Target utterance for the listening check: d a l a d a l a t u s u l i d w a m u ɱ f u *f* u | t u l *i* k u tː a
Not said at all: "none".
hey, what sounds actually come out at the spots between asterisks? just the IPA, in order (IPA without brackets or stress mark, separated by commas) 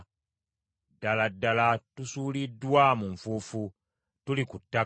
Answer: f, i